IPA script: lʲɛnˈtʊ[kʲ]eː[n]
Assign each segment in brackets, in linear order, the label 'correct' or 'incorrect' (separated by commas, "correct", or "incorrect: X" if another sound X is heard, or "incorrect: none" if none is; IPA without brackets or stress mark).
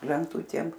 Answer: incorrect: tʲ, incorrect: m